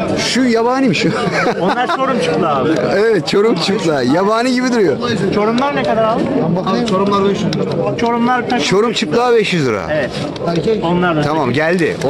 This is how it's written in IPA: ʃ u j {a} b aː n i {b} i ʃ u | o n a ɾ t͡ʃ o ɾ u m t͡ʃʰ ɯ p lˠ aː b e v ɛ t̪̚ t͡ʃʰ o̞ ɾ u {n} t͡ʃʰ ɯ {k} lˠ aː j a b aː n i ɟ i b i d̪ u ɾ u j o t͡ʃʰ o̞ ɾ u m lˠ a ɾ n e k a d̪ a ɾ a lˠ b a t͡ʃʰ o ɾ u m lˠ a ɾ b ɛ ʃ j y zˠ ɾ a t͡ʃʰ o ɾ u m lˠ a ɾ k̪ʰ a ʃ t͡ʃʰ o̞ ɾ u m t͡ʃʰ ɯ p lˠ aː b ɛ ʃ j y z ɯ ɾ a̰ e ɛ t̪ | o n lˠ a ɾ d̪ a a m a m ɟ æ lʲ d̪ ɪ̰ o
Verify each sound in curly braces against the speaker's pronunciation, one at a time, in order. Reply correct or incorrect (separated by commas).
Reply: correct, incorrect, incorrect, incorrect